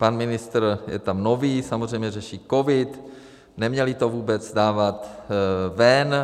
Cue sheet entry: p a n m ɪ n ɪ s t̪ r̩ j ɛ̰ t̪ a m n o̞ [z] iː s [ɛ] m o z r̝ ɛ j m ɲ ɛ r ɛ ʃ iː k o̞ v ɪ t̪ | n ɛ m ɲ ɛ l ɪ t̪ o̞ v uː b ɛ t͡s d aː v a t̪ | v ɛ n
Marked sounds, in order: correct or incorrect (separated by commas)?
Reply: incorrect, incorrect